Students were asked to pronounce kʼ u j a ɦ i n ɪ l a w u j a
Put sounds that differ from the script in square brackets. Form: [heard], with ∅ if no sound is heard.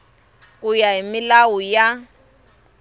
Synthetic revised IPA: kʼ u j a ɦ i [m] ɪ l a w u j a